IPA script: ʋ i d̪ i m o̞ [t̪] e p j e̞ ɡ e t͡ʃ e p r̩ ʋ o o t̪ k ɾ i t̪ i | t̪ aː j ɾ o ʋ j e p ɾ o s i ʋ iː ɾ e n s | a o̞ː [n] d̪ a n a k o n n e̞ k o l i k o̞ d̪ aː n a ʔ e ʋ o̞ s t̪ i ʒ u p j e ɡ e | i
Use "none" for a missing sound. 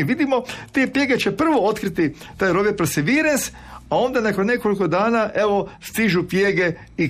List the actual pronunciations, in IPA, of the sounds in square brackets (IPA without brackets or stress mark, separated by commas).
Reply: t̪, n